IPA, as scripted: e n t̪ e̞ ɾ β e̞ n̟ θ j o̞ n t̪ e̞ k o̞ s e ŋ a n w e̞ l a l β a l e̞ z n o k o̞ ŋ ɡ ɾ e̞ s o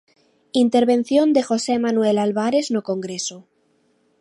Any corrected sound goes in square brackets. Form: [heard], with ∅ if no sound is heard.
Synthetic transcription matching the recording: [i] n t̪ e̞ ɾ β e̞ n̟ θ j o̞ n [d̪] e̞ [x] o̞ s e [m] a n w e̞ l a l β a [ɾ] e̞ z n o k o̞ ŋ ɡ ɾ e̞ s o